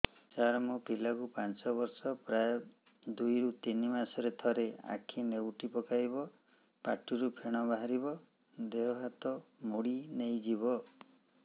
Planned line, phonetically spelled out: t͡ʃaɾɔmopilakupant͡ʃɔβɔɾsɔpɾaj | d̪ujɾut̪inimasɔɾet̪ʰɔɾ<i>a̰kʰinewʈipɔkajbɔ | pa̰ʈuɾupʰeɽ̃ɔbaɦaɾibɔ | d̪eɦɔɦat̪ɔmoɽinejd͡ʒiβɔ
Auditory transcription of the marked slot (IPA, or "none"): e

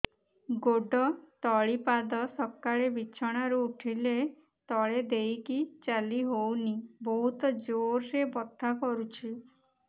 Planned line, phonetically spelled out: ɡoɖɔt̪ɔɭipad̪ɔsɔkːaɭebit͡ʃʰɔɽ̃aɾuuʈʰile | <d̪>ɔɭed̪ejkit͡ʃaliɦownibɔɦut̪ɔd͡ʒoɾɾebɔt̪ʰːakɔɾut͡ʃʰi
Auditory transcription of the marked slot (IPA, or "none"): t̪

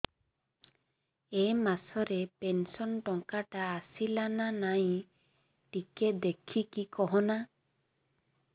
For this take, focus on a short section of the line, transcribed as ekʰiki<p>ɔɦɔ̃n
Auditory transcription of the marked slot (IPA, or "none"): k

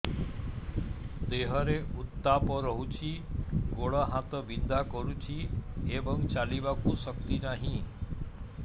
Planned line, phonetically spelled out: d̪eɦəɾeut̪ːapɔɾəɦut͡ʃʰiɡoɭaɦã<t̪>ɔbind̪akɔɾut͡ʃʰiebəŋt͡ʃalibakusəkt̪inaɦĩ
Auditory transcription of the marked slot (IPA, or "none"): t̪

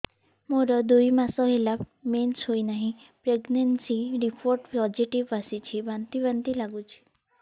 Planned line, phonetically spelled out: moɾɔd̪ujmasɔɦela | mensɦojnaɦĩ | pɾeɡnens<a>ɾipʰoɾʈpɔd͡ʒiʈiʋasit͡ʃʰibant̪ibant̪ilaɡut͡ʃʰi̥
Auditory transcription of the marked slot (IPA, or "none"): i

